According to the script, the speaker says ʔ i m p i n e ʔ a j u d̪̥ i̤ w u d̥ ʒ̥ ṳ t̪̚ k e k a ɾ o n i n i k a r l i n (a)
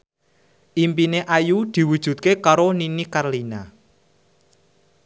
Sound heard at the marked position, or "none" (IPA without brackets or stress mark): a